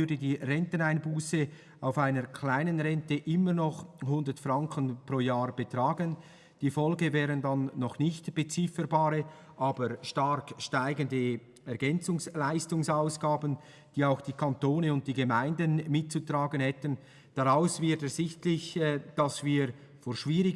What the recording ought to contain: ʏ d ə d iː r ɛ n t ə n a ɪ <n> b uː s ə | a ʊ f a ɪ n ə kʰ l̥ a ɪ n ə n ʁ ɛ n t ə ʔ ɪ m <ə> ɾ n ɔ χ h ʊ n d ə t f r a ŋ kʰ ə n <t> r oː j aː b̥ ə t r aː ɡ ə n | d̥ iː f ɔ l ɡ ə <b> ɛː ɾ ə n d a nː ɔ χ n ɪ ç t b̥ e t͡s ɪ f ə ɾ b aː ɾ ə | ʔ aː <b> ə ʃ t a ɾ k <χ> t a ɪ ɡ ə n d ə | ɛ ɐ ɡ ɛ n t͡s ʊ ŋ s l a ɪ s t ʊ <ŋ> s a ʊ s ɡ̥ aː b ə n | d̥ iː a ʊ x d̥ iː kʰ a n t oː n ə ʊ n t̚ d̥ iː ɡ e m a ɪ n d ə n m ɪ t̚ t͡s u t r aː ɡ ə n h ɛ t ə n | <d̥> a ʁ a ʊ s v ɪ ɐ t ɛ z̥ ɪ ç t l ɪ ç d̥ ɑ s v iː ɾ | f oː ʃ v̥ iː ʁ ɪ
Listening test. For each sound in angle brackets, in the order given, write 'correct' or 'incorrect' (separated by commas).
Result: correct, correct, incorrect, incorrect, correct, incorrect, correct, correct